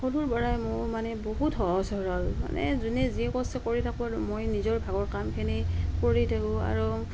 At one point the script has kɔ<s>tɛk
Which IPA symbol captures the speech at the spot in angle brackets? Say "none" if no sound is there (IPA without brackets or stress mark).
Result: s